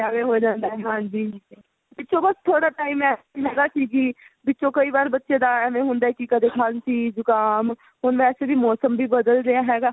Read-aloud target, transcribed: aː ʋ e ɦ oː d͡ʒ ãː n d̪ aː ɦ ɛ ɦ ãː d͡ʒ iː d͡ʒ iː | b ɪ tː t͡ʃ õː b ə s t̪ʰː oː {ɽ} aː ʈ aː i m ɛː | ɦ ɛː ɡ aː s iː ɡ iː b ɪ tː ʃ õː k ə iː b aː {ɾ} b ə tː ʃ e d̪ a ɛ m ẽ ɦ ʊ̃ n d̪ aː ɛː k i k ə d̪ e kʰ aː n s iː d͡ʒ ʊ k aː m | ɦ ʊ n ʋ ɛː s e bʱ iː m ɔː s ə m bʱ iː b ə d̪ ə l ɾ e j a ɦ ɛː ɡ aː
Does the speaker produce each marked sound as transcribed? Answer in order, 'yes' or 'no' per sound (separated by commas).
yes, yes